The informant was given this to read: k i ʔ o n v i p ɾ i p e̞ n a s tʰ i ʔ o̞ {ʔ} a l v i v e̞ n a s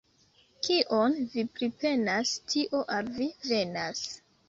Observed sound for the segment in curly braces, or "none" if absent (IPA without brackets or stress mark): ʔ